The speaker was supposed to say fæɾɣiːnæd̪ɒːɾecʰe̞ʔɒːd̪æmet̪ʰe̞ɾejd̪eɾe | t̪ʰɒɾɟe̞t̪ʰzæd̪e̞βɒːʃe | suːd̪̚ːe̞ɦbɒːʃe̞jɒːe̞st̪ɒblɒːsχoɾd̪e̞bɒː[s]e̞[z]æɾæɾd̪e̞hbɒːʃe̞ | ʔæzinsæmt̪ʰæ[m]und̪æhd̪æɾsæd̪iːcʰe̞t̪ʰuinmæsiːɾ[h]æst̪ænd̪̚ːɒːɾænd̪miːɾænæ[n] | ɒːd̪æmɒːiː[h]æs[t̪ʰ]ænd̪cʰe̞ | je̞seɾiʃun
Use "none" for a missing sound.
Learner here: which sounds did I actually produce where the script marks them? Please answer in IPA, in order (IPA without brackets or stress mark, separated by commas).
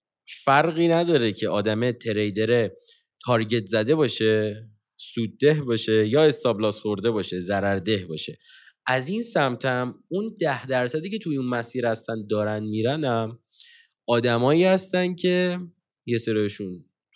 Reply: ʃ, z, m, h, m, h, t̪